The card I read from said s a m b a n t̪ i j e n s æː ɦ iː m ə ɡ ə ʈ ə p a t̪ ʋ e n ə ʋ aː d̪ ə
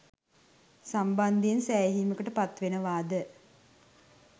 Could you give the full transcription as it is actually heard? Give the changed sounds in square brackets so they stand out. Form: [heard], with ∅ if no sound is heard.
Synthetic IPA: s a m b a n [d̪] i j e n s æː ɦ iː m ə [k] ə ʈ ə p a t̪ ʋ e n ə ʋ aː d̪ ə